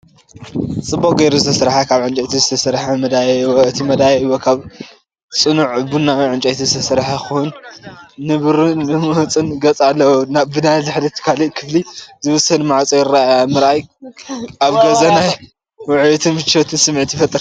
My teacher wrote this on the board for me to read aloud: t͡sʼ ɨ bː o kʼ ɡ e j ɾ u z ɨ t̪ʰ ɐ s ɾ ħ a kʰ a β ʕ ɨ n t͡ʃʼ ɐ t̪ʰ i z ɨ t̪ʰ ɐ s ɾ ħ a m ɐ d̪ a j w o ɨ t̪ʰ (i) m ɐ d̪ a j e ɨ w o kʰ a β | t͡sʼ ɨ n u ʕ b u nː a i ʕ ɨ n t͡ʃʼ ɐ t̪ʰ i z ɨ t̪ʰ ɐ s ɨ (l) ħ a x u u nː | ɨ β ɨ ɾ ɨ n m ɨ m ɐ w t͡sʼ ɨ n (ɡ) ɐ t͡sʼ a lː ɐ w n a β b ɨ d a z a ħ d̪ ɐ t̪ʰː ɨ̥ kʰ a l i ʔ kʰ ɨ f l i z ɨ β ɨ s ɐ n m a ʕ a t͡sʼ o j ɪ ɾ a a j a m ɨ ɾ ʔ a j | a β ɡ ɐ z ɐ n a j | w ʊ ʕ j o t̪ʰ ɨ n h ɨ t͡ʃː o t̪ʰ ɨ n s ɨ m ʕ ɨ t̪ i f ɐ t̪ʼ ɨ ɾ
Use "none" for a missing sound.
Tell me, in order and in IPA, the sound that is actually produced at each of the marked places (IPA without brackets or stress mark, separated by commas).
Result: i, ɾ, ɡ